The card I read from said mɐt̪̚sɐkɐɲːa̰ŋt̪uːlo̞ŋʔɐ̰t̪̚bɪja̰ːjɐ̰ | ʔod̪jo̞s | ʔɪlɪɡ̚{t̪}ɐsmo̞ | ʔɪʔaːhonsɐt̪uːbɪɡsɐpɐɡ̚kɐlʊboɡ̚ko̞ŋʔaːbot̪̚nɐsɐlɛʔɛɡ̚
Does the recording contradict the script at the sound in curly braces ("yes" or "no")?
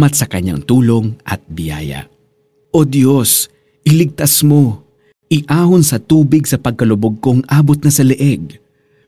no